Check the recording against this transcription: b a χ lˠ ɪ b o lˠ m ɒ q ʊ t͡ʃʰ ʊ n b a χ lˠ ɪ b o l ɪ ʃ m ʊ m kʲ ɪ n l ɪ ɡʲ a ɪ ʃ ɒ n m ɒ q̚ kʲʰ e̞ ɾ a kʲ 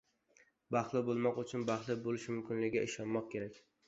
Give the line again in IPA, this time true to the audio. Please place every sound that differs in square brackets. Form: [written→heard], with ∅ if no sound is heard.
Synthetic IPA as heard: b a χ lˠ ɪ b o lˠ m ɒ q ʊ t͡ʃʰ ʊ n b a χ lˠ ɪ b o l ɪ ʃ m ʊ m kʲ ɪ n l ɪ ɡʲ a ɪ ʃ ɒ n m ɒ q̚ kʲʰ e̞ ɾ a kʲ